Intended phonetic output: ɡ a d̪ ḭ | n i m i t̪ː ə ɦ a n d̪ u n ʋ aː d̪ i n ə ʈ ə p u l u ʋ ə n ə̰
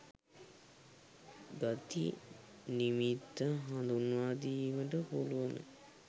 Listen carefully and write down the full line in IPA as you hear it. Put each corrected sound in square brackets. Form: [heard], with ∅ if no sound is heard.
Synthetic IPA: ɡ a [t̪] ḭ | n i m i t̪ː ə ɦ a n d̪ u n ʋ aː d̪ i [m] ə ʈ ə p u l u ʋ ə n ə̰